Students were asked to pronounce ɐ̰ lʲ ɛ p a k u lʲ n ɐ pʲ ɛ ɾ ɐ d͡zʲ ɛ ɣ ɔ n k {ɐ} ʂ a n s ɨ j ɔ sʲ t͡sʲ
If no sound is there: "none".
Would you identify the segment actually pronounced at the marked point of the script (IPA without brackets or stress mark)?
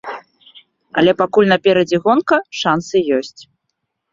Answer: ɐ